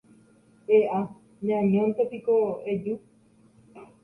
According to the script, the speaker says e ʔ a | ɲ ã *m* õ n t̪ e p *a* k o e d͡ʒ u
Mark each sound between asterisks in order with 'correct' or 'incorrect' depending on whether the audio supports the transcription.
incorrect, incorrect

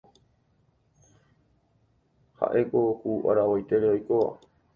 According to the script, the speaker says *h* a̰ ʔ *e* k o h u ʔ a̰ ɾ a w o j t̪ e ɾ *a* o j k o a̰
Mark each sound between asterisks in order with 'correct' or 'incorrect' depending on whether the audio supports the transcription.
correct, correct, incorrect

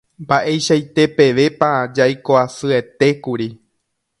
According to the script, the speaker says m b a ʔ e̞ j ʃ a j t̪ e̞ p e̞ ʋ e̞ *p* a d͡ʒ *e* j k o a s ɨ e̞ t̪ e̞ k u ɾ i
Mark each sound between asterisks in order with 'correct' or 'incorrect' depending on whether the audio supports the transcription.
correct, incorrect

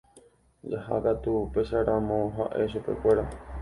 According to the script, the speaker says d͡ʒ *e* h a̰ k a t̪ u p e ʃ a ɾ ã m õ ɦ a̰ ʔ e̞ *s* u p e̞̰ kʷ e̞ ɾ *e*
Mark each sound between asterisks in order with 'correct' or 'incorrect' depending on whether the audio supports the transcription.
incorrect, incorrect, incorrect

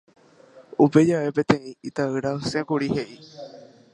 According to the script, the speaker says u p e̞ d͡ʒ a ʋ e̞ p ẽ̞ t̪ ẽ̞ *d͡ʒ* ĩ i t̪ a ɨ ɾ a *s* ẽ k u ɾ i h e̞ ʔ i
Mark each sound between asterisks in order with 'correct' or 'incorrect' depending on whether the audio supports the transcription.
incorrect, correct

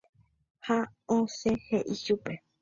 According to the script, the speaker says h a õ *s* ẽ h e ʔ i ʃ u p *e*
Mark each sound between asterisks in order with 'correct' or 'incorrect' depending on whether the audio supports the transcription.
correct, correct

